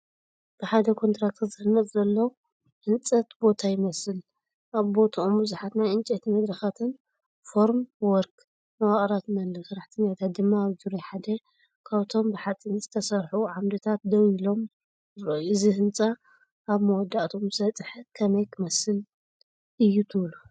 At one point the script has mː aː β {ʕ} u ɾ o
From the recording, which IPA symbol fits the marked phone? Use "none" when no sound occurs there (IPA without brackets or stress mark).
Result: z